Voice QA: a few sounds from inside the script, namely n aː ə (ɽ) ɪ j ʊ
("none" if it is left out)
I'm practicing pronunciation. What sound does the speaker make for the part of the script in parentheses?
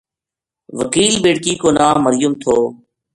ɾ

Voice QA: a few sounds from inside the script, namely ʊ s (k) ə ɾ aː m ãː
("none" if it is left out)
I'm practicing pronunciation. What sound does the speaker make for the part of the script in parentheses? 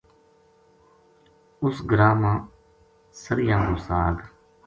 ɡ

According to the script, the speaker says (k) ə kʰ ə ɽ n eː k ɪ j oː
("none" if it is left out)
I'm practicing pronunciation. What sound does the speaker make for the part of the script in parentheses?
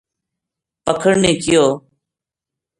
p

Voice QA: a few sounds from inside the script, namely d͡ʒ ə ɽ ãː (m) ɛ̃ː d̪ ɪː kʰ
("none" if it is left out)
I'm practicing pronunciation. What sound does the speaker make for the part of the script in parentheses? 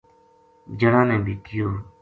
n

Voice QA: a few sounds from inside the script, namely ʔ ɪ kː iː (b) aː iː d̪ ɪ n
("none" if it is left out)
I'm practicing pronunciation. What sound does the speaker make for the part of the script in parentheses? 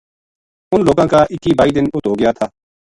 b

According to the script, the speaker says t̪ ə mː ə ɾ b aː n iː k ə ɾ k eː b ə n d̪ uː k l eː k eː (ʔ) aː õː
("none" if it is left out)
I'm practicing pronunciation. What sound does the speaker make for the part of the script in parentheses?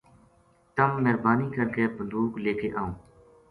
ʔ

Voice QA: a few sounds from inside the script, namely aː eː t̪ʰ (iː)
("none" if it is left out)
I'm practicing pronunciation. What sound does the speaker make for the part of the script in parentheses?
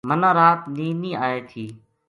iː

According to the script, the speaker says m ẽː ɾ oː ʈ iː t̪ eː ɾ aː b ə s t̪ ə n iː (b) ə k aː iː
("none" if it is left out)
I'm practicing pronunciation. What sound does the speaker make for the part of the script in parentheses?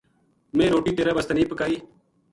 p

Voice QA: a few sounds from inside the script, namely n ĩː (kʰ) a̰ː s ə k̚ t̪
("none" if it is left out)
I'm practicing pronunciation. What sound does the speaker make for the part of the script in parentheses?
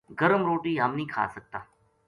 kʰ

